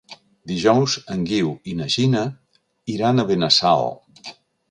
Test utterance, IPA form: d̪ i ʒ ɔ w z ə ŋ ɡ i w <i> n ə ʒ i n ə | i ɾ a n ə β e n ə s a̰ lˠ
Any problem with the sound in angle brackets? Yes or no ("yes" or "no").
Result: no